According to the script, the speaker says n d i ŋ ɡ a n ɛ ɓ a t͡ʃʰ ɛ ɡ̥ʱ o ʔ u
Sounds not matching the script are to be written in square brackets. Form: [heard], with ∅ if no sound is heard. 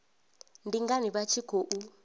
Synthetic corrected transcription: n d i ŋ ɡ a n [i] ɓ a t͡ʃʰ [i] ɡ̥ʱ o ʔ u